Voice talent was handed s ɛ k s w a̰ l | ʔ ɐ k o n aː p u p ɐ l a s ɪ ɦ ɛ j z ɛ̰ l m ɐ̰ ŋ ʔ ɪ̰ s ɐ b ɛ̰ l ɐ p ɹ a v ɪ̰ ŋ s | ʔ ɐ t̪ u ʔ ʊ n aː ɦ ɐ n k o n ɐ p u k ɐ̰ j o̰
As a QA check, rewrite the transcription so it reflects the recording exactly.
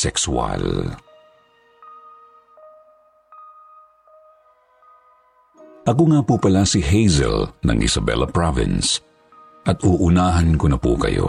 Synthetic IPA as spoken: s ɛ k s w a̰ l | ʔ ɐ k o ŋ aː p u p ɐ l a s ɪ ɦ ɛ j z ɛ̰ l n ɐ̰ ŋ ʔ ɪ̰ s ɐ b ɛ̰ l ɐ p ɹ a v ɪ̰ n s | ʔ ɐ t̪ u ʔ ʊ n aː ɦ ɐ n k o n ɐ p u k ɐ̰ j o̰